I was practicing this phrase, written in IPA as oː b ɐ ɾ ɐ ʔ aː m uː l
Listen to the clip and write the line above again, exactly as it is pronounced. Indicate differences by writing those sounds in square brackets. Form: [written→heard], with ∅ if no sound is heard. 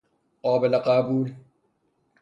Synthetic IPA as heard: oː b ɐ [ɾ→l] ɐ [ʔ→q] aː [m→b] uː l